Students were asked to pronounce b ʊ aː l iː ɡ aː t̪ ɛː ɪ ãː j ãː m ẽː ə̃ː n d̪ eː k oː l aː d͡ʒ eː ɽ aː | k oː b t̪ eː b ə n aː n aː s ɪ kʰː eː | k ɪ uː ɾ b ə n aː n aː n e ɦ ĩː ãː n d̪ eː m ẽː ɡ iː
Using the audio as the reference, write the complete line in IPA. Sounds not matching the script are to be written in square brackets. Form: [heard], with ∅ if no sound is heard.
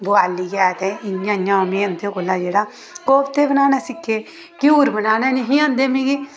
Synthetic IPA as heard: b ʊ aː l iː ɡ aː t̪ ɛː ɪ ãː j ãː m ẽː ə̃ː n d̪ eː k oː l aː d͡ʒ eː ɽ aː | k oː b t̪ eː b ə n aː n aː s ɪ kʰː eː | k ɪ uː ɾ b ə n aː n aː n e ɦ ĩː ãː n d̪ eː m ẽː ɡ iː